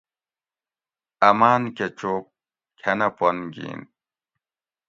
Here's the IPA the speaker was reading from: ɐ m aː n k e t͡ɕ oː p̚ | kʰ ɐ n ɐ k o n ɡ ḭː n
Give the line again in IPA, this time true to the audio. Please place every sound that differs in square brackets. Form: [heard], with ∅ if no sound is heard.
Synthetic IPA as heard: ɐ m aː n k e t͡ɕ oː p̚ | kʰ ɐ n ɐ [p] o n ɡ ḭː n